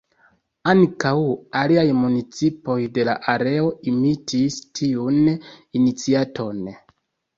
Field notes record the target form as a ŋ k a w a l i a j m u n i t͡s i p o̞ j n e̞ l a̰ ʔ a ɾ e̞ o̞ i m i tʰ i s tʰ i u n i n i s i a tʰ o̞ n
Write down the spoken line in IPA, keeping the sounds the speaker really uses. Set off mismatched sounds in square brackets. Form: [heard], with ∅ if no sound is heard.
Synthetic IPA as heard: a ŋ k a w a l i a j m u n i t͡s i p o̞ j [d] e̞ l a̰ ʔ a ɾ e̞ o̞ i m i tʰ i s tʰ i u n i n i [t͡s] i a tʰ o̞ n